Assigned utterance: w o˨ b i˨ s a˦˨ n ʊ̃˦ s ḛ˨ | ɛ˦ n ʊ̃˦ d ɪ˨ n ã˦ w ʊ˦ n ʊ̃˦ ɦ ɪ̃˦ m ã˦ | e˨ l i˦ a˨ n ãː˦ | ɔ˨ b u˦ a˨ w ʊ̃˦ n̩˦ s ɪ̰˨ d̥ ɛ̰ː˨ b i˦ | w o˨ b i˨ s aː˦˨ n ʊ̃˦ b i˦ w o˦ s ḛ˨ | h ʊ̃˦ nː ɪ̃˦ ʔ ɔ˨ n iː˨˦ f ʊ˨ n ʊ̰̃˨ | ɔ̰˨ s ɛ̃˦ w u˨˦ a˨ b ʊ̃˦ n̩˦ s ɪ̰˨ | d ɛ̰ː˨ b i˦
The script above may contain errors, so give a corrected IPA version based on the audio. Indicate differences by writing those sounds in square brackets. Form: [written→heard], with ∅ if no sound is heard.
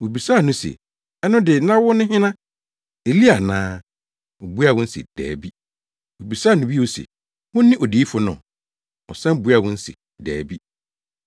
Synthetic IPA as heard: w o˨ b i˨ s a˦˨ n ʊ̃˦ s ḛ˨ | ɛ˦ n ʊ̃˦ d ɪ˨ n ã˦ w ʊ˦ n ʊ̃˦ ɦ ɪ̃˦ [m→n] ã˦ | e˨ l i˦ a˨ n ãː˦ | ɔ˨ b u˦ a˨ w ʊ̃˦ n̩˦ s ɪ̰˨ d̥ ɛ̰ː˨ b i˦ | w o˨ b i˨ s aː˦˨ n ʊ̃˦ b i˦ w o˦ s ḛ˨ | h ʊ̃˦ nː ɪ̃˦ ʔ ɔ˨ [n→d] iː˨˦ f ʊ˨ n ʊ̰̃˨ | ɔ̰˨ s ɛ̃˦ [w→b] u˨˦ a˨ [b→w] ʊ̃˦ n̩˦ s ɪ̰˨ | d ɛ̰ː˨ b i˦